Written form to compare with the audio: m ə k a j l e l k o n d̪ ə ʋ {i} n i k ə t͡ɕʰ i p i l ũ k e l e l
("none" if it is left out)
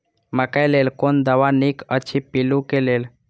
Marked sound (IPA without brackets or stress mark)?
a